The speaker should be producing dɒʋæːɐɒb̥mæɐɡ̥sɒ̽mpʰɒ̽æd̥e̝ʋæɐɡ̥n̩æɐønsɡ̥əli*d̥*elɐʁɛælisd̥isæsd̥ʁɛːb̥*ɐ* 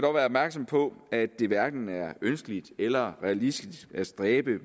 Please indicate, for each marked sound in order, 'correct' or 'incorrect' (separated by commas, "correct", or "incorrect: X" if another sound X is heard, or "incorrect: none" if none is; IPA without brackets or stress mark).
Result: correct, incorrect: ə